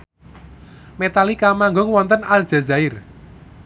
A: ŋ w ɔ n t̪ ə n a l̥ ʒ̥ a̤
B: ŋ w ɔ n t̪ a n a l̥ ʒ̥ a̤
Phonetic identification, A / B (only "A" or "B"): A